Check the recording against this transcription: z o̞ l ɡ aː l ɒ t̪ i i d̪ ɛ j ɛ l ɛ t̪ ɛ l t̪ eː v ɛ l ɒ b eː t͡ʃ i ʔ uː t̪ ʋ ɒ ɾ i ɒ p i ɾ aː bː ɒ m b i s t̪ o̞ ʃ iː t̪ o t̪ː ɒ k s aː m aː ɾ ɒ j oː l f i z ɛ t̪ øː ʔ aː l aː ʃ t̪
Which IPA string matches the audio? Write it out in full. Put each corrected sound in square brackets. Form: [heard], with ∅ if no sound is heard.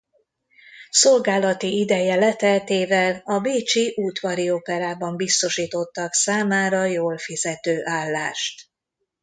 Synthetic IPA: [s] o̞ l ɡ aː l ɒ t̪ i i d̪ ɛ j ɛ l ɛ t̪ ɛ l t̪ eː v ɛ l ɒ b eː t͡ʃ i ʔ uː t̪ ʋ ɒ ɾ i [o] p [ɛ] ɾ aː [b] ɒ m b i s t̪ o̞ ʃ iː t̪ o t̪ː ɒ k s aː m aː ɾ ɒ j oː l f i z ɛ t̪ øː ʔ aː [lː] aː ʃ t̪